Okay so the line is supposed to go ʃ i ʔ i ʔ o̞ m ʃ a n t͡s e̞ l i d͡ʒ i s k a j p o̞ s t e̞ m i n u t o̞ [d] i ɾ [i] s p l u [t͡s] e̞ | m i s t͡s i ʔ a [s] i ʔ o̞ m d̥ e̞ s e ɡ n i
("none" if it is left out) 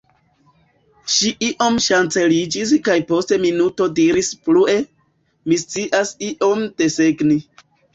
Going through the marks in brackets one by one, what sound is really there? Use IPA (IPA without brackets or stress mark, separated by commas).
d, i, none, s